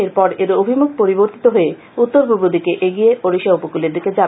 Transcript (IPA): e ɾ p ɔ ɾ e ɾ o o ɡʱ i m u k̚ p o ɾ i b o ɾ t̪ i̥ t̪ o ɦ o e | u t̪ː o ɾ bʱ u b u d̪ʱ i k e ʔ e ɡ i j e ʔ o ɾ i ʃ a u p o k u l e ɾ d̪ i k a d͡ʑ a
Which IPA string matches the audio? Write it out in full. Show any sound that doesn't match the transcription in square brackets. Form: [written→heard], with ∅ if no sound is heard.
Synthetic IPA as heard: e ɾ p ɔ ɾ e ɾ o o [ɡʱ→bʱ] i m u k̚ p o ɾ i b o ɾ t̪ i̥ t̪ o ɦ o e | u t̪ː o ɾ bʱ u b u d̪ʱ i k e ʔ e ɡ i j e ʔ o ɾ i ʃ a u p o k u l e ɾ d̪ i k [a→e] d͡ʑ a